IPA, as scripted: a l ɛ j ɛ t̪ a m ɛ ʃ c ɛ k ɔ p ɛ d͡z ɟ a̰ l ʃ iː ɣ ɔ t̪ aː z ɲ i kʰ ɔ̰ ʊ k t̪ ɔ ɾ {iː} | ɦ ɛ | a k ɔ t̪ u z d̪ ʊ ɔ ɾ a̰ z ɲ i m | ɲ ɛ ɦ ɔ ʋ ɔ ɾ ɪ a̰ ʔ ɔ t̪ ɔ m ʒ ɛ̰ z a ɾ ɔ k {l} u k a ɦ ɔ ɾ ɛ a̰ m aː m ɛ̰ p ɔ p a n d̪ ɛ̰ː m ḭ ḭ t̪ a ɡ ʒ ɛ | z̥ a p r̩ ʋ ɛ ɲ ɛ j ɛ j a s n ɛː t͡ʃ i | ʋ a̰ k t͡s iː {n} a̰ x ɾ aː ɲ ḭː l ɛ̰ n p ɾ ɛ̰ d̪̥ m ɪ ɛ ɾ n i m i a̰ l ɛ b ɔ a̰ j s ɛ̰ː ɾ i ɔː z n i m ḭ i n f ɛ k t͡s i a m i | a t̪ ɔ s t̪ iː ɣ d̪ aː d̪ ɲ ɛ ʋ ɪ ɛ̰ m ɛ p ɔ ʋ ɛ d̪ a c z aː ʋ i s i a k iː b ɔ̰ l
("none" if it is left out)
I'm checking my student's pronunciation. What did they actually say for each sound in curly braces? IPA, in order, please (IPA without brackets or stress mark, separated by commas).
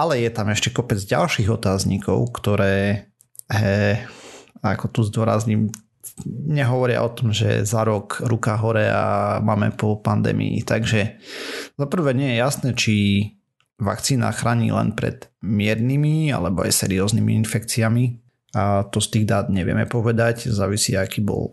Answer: ɛː, ɾ, n